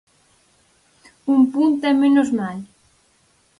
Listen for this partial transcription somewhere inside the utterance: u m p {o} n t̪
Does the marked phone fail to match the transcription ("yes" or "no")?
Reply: yes